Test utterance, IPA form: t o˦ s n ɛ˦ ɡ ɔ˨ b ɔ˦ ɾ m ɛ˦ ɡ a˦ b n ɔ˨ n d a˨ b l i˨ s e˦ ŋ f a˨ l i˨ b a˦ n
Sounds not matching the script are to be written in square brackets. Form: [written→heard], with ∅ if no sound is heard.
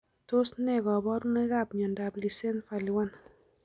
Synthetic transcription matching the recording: t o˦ s n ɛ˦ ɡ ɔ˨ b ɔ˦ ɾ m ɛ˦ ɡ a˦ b [n→ɲ] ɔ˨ n d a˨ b l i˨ s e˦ [ŋ→n] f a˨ l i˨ [b→w] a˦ n